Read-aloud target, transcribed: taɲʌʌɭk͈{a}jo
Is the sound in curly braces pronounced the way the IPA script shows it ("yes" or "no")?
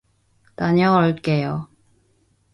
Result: no